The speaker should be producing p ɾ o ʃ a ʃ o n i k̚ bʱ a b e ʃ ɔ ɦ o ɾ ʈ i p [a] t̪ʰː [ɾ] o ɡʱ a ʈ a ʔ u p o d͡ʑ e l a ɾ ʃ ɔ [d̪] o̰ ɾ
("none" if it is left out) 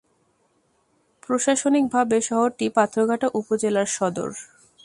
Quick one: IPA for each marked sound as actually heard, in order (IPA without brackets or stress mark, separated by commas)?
a, ɾ, d̪